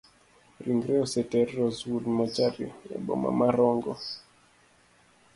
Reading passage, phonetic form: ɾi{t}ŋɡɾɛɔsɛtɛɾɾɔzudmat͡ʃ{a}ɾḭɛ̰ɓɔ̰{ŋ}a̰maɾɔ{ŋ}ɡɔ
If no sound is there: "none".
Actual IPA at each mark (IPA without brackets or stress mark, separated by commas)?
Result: none, a, m, ŋ